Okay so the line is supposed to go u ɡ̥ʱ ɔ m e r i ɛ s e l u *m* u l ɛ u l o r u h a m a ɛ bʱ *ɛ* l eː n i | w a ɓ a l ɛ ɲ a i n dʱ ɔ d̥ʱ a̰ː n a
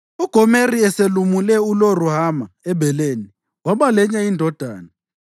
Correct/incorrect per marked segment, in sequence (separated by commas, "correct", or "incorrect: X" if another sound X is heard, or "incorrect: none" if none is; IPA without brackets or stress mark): correct, correct